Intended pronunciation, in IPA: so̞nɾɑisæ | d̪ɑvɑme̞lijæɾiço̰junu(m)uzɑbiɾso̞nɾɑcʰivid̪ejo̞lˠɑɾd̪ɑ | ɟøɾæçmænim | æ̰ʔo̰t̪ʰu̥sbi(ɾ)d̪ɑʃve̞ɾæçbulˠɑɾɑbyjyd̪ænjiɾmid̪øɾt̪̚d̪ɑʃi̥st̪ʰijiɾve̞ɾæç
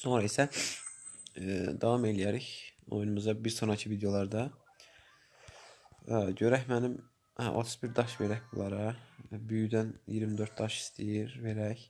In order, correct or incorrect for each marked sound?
correct, correct

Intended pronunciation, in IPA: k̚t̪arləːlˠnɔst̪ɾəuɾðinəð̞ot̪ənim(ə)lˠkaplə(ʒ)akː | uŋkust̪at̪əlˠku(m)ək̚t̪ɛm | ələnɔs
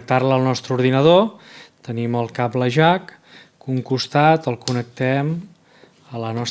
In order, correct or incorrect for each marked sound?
correct, correct, incorrect

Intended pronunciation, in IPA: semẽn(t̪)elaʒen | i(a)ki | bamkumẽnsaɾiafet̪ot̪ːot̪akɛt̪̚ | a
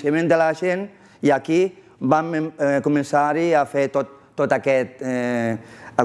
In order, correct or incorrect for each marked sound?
incorrect, correct

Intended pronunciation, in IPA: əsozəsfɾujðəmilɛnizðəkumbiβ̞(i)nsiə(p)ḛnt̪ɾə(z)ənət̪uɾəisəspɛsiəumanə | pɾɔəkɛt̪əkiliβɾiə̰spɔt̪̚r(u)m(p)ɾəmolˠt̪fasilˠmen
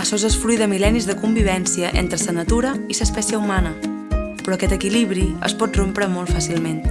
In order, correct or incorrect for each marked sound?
incorrect, incorrect, incorrect, incorrect, correct

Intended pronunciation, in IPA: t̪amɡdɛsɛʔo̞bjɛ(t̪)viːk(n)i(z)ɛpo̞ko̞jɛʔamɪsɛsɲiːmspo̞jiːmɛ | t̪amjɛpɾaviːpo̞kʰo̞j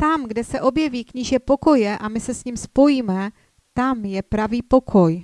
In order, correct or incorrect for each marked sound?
incorrect, incorrect, incorrect

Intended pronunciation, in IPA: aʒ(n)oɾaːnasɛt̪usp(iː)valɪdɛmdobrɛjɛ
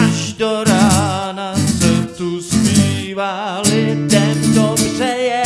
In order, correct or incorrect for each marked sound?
incorrect, correct

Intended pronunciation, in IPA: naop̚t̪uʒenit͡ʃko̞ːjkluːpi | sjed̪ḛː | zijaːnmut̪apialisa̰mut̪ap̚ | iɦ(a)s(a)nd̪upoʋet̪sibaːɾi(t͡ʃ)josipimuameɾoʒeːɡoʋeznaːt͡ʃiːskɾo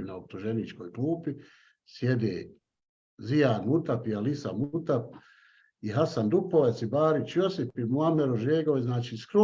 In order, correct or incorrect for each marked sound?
correct, correct, correct

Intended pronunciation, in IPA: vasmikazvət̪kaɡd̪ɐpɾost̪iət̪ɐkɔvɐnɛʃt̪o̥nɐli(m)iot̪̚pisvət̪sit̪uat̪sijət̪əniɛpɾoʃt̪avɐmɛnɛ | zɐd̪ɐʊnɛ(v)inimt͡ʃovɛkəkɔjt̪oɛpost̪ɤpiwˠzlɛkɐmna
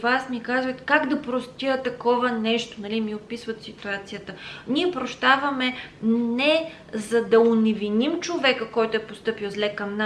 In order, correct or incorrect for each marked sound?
correct, correct

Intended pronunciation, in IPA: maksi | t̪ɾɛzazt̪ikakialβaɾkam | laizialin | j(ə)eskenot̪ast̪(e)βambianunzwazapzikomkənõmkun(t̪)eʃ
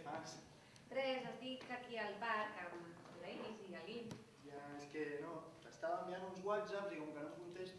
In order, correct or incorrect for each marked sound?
incorrect, incorrect, correct

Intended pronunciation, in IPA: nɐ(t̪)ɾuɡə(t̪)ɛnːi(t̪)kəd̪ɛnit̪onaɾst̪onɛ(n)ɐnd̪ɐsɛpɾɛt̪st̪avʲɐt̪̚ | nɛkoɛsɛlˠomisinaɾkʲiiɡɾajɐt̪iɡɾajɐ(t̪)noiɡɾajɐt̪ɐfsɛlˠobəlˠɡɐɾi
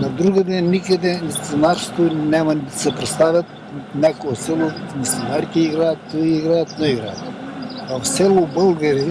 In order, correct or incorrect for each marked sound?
incorrect, incorrect, incorrect, incorrect, correct

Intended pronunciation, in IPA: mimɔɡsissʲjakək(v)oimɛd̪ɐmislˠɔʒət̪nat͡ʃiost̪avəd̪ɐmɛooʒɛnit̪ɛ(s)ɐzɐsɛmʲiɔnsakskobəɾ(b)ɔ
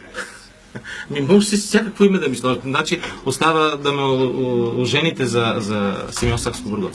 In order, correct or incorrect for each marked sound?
correct, incorrect, incorrect

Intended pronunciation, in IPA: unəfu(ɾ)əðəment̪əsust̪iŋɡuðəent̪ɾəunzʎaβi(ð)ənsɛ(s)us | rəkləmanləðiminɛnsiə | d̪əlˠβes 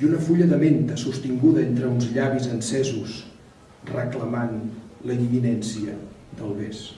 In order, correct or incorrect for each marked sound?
incorrect, incorrect, incorrect

